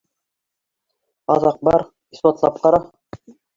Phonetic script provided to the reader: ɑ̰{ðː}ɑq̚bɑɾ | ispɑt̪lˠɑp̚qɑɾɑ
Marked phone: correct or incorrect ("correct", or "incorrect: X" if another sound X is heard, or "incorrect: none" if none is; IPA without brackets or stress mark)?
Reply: incorrect: ð